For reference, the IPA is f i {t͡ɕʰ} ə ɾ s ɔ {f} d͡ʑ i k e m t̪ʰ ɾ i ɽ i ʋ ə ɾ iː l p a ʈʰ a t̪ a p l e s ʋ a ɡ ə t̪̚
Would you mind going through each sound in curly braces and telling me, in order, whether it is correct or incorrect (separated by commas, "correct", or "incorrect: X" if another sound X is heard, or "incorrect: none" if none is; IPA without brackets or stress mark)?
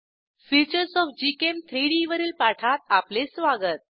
incorrect: t͡ɕ, correct